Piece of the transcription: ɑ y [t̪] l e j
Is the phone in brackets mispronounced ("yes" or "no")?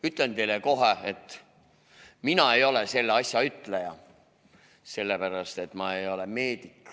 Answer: no